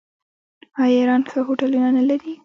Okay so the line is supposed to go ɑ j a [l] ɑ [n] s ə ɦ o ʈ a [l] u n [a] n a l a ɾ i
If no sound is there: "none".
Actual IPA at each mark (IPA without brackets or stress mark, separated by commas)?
ɾ, n, l, a